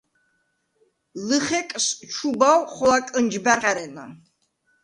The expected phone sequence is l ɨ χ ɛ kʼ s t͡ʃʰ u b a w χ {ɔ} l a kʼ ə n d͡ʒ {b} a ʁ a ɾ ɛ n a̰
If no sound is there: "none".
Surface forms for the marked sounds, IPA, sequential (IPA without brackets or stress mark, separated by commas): ɔ, b